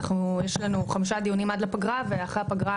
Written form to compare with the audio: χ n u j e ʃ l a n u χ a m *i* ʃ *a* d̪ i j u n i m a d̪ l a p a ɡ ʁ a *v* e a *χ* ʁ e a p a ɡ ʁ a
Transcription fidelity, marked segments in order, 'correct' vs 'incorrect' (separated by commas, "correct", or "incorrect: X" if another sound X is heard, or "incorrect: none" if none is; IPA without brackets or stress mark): correct, correct, correct, correct